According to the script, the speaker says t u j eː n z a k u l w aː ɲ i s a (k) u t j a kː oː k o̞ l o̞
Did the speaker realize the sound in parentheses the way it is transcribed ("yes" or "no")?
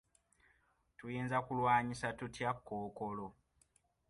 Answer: no